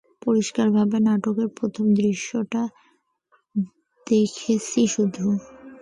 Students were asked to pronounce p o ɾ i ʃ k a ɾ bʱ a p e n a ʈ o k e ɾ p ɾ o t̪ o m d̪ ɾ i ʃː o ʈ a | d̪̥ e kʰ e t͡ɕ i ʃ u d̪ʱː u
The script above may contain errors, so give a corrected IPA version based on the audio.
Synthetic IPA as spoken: p o ɾ i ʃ k a ɾ bʱ a b e n a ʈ o k e ɾ p ɾ o t̪ʰ o m d̪ ɾ i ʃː o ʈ a | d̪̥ e kʰ e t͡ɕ i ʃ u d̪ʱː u